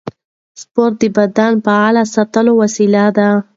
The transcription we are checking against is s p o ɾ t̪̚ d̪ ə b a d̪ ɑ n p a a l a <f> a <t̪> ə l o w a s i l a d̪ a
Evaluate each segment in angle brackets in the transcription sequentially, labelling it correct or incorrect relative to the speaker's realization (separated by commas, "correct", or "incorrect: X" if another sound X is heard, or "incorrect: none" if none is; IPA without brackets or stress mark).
incorrect: s, correct